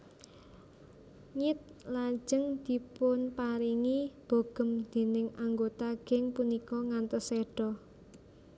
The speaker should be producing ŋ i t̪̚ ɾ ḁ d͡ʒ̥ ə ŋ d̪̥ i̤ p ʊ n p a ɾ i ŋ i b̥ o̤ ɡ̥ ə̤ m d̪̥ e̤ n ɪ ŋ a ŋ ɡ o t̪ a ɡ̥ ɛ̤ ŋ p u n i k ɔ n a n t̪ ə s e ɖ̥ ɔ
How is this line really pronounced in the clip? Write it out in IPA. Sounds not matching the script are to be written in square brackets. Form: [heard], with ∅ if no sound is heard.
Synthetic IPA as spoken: ŋ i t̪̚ [l] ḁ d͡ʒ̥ ə ŋ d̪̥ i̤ p ʊ n p a ɾ i ŋ i b̥ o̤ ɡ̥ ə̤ m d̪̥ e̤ n ɪ ŋ a ŋ ɡ o t̪ a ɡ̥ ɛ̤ ŋ p u n i k ɔ [ŋ] a n t̪ ə s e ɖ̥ ɔ